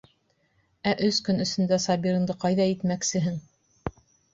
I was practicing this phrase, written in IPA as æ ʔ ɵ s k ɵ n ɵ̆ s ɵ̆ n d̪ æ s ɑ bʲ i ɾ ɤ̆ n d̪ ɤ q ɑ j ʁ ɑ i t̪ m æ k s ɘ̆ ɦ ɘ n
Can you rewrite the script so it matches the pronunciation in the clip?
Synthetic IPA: æ ʔ ɵ s k ɵ n ɵ̆ s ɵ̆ n d̪ æ s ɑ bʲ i ɾ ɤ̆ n d̪ ɤ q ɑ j ð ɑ i t̪ m æ k s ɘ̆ ɦ ɘ ŋ